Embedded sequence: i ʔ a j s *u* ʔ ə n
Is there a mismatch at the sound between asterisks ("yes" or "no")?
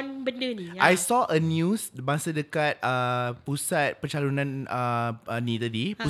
yes